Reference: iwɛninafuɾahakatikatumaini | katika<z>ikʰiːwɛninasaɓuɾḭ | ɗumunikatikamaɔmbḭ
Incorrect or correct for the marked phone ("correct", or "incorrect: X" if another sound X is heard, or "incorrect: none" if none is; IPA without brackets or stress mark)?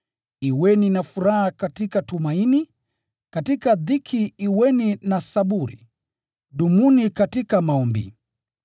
incorrect: ð